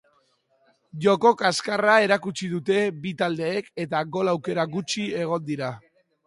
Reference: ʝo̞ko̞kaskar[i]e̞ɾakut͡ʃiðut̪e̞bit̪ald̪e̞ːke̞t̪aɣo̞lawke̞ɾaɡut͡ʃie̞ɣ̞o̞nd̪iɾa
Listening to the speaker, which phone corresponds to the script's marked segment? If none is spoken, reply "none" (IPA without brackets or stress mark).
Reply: a